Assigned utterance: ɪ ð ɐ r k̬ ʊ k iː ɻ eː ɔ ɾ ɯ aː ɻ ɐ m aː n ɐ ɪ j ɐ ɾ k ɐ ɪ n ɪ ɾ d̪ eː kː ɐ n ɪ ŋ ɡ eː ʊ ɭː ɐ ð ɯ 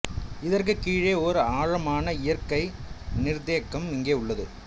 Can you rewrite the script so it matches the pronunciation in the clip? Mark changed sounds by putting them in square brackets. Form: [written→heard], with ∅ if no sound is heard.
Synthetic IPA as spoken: ɪ ð ɐ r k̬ [ʊ→ɯ] k iː ɻ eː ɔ ɾ ɯ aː ɻ ɐ m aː n ɐ ɪ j ɐ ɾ k ɐ ɪ n ɪ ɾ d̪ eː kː ɐ [n→m] ɪ ŋ ɡ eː ʊ ɭː ɐ ð ɯ

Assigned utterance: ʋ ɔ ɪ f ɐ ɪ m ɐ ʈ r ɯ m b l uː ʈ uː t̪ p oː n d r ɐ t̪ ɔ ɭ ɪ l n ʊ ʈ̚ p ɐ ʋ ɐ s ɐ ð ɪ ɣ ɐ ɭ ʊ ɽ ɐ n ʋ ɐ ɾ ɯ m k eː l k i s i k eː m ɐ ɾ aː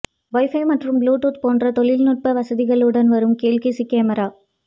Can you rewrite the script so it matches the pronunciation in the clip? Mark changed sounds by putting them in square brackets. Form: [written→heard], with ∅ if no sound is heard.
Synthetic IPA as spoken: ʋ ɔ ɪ f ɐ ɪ m ɐ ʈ r ɯ m b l uː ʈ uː t̪ p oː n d r ɐ t̪ ɔ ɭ ɪ l n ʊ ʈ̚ p ɐ ʋ ɐ s ɐ ð ɪ ɣ ɐ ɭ [ʊ→ɯ] ɽ ɐ n ʋ ɐ ɾ ɯ m k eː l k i s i k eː m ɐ ɾ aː

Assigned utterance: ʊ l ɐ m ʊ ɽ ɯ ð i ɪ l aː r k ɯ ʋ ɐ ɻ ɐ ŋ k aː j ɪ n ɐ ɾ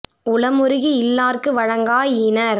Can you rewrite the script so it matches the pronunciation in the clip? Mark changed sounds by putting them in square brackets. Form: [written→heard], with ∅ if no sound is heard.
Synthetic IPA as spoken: ʊ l ɐ m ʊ [ɽ→ɾ] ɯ [ð→ɣ] i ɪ [l→lː] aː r k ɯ ʋ ɐ ɻ ɐ ŋ [k→ɡ] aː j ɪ n ɐ ɾ

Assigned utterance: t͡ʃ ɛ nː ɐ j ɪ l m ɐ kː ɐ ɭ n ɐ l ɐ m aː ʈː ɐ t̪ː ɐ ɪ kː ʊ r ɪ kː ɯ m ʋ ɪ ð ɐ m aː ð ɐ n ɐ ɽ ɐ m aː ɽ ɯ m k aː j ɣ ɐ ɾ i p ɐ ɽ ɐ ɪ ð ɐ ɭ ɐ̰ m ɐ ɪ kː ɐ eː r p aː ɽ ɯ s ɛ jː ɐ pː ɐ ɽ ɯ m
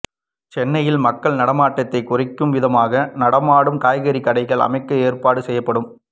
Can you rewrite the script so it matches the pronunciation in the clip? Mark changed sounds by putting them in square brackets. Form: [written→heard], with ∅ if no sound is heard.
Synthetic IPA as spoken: t͡ʃ ɛ nː ɐ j ɪ l m ɐ kː ɐ ɭ n ɐ [l→ɽ] ɐ m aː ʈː ɐ t̪ː ɐ ɪ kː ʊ r ɪ kː ɯ m ʋ ɪ ð ɐ m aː [ð→ɣ] ɐ n ɐ ɽ ɐ m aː ɽ ɯ m k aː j ɣ ɐ ɾ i [p→k] ɐ ɽ ɐ ɪ [ð→ɣ] ɐ ɭ ɐ̰ m ɐ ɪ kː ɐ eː r p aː ɽ ɯ s ɛ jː ɐ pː ɐ ɽ ɯ m

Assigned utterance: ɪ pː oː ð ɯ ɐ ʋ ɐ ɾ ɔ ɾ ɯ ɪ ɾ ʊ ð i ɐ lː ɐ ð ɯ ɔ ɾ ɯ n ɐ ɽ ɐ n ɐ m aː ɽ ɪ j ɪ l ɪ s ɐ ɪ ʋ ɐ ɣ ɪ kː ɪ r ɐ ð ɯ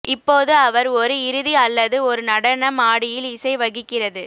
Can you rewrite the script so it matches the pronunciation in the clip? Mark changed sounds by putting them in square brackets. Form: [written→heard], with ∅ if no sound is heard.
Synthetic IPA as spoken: ɪ pː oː ð ɯ ɐ ʋ ɐ ɾ ɔ ɾ ɯ ɪ ɾ [ʊ→ɯ] ð i ɐ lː ɐ ð ɯ ɔ ɾ ɯ n ɐ ɽ ɐ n ɐ m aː ɽ ɪ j ɪ l ɪ s ɐ ɪ ʋ ɐ ɣ ɪ kː ɪ r ɐ ð ɯ

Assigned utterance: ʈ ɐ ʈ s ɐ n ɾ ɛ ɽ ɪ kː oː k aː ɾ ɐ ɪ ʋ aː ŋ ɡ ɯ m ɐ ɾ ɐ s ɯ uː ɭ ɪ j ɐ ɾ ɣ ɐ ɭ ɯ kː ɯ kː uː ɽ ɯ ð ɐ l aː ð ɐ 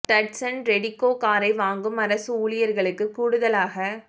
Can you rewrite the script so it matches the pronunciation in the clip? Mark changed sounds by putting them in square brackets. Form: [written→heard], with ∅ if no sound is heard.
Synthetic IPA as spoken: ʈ ɐ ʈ s ɐ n ɾ ɛ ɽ ɪ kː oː k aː ɾ ɐ ɪ ʋ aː ŋ ɡ ɯ m ɐ ɾ ɐ s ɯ uː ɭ ɪ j ɐ ɾ ɣ ɐ ɭ ɯ kː ɯ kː uː ɽ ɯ ð ɐ l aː [ð→ɣ] ɐ

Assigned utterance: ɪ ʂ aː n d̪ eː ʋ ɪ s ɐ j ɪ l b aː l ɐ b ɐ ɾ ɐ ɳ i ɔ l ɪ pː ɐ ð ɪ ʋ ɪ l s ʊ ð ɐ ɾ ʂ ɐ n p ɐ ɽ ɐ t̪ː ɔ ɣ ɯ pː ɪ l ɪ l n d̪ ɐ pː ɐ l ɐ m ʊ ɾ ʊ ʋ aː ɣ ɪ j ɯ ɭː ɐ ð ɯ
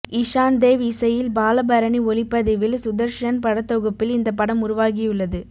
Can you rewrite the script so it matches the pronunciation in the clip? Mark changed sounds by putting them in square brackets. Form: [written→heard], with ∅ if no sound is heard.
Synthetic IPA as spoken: ɪ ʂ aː n d̪ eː ʋ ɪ s ɐ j ɪ l b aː l ɐ b ɐ ɾ ɐ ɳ i ɔ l ɪ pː ɐ ð ɪ ʋ ɪ l s ʊ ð ɐ ɾ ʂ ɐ n p ɐ ɽ ɐ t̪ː ɔ ɣ ɯ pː ɪ l ɪ [l→∅] n d̪ ɐ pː ɐ [l→ɽ] ɐ m ʊ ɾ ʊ ʋ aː ɣ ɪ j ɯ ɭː ɐ ð ɯ

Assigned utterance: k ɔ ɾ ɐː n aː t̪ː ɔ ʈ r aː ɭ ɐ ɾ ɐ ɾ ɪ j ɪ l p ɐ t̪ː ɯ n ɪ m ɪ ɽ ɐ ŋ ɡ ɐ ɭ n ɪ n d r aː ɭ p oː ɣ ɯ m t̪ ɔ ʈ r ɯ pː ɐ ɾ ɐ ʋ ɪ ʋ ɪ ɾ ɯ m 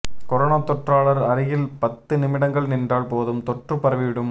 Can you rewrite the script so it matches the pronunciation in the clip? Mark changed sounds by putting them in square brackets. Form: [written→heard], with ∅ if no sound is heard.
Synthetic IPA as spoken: k ɔ ɾ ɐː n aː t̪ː ɔ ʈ r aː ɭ ɐ ɾ ɐ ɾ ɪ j ɪ l p ɐ t̪ː ɯ n ɪ m ɪ ɽ ɐ ŋ ɡ ɐ ɭ n ɪ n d r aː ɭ p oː [ɣ→ð] ɯ m t̪ ɔ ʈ r ɯ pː ɐ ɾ ɐ ʋ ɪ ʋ ɪ [ɾ→ɽ] ɯ m

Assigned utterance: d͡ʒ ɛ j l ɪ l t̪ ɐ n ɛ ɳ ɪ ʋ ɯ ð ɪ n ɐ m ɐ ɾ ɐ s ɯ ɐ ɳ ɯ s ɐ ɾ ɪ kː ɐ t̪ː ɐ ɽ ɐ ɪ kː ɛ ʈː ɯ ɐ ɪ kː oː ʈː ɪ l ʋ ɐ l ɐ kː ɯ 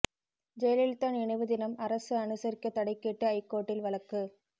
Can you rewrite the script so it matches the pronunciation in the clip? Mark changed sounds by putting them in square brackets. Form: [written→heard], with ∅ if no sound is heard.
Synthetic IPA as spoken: d͡ʒ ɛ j l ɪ l t̪ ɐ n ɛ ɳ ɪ ʋ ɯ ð ɪ n ɐ m ɐ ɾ ɐ s ɯ ɐ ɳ ɯ s ɐ ɾ ɪ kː ɐ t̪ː ɐ ɽ ɐ ɪ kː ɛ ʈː ɯ ɐ ɪ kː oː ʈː ɪ l ʋ ɐ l ɐ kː ɯ

